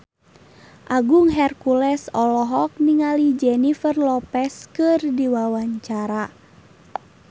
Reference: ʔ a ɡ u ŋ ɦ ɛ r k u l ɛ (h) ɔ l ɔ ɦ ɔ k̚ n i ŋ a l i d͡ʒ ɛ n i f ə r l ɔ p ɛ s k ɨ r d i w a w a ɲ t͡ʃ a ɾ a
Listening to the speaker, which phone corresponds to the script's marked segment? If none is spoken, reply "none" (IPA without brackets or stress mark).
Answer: s